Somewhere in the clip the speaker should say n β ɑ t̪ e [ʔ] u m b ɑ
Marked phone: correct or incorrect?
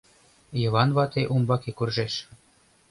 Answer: correct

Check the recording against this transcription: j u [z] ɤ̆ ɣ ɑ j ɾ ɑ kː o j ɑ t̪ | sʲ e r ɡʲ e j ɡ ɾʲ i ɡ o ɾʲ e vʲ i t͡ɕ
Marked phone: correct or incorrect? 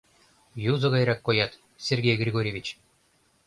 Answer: correct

